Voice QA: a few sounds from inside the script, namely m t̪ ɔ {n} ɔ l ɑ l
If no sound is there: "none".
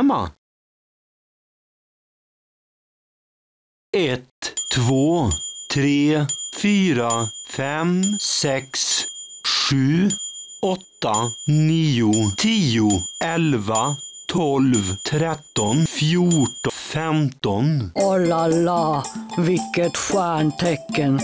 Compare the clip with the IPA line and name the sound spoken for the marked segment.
n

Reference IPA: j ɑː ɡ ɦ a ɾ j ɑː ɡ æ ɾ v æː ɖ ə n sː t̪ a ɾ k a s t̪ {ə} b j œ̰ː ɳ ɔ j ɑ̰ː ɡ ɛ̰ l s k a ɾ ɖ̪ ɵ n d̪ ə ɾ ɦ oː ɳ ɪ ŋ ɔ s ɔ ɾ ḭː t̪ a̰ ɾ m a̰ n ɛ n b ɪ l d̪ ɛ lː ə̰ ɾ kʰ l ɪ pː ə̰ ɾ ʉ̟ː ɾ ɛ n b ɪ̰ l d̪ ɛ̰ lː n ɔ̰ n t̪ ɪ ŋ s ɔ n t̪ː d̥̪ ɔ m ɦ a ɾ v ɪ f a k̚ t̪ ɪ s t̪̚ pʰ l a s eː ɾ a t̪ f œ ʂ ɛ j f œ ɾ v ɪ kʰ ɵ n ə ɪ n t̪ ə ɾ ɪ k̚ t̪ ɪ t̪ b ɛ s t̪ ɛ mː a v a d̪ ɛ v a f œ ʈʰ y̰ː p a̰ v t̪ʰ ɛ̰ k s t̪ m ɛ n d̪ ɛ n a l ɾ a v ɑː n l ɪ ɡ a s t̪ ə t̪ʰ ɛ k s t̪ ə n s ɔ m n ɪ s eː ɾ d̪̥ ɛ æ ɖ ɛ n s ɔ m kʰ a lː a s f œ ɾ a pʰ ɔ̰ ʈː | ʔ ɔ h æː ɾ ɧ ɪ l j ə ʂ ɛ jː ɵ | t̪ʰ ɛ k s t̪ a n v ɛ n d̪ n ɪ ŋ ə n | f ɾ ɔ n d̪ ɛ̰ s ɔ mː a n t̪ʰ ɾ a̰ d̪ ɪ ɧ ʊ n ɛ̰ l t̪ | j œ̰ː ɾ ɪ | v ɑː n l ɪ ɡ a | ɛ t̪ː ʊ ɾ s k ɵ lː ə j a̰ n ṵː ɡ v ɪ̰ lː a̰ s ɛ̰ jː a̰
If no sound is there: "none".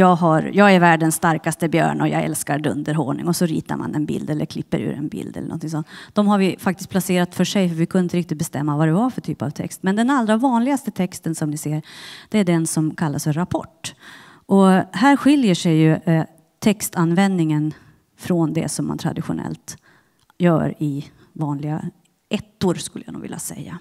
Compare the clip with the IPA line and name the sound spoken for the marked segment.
ə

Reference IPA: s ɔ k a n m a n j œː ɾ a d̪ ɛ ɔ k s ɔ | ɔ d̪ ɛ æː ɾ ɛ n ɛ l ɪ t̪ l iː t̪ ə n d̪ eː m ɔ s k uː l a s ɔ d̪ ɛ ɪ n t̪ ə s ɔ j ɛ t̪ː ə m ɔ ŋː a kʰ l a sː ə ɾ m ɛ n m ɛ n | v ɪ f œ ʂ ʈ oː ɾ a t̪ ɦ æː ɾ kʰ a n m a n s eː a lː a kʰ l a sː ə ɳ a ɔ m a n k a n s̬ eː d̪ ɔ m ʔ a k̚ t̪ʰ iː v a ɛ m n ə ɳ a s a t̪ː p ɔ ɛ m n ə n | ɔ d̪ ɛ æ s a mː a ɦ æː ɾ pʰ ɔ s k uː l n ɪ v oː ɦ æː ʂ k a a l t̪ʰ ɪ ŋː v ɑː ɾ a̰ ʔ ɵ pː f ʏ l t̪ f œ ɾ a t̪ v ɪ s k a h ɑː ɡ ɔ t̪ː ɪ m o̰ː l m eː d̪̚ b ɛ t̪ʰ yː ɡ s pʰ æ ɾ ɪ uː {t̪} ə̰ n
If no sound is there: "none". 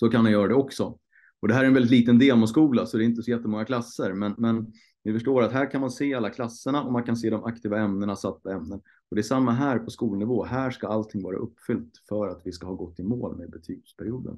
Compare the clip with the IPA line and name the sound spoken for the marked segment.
d̪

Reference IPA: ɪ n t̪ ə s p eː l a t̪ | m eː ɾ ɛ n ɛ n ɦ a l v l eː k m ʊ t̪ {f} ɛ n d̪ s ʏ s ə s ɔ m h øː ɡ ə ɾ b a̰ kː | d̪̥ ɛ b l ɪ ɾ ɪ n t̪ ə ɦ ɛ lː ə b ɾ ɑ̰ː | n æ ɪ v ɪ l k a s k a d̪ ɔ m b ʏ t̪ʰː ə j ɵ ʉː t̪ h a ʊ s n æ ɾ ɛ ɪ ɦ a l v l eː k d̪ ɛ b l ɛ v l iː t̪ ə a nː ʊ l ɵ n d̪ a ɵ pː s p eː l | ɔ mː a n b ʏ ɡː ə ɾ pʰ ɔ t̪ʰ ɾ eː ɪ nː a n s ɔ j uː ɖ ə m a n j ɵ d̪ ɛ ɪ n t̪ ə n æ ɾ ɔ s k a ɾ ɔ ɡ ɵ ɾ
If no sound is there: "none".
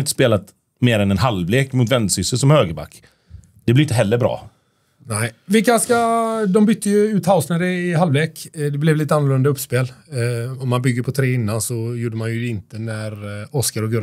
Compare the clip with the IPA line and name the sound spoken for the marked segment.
v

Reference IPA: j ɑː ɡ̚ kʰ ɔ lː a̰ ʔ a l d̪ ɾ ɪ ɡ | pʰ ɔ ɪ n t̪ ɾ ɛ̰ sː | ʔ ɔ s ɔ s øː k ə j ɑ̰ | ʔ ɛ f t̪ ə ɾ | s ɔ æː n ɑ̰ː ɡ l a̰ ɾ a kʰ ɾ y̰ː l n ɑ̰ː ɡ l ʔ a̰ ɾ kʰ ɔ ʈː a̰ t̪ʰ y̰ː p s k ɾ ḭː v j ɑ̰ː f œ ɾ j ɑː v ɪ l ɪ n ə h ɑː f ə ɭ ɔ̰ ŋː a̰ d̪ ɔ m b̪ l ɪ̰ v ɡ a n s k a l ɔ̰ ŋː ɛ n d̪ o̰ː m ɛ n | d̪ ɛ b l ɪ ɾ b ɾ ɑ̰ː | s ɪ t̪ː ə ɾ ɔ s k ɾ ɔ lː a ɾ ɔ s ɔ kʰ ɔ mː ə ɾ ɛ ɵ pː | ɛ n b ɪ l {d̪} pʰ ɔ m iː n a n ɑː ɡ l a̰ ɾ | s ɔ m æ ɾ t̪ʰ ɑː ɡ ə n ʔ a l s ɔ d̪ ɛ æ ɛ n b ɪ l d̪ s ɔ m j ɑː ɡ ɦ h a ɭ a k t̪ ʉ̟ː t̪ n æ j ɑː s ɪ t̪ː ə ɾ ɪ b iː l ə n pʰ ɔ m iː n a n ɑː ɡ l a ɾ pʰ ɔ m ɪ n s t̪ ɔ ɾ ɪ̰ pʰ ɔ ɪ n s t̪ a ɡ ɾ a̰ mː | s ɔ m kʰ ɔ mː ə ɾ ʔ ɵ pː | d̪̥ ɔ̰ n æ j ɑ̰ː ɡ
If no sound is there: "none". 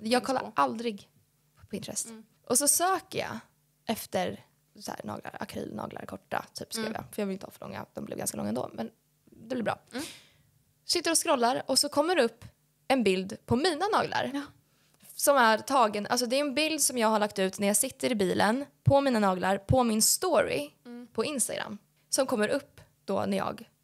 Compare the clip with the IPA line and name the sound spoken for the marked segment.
d̪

